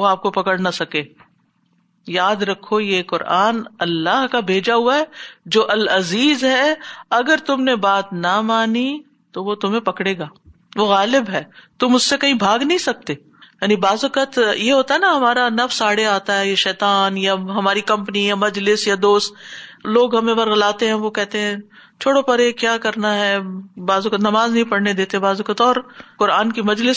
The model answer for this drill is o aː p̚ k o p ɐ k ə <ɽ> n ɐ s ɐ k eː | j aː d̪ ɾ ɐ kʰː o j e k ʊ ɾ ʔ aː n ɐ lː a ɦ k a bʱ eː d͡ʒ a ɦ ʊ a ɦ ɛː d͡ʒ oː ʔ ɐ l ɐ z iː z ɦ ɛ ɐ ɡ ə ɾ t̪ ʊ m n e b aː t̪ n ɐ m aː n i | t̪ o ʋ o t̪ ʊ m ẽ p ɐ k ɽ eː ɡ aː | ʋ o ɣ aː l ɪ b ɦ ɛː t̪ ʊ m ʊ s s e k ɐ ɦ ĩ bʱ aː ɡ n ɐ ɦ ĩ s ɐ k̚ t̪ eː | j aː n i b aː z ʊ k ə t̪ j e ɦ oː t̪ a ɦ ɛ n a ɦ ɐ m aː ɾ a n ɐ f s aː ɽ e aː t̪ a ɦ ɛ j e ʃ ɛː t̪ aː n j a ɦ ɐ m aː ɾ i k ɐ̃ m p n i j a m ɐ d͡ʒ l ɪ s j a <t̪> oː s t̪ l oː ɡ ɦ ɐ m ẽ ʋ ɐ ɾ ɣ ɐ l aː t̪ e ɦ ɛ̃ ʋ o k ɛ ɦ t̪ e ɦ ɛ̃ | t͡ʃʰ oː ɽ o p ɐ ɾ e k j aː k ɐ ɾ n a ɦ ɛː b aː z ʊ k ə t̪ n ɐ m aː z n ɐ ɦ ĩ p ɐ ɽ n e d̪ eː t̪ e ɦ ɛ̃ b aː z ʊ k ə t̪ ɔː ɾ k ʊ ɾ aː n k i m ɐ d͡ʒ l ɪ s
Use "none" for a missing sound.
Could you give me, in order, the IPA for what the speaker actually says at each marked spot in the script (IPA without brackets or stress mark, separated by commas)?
ɽ, d̪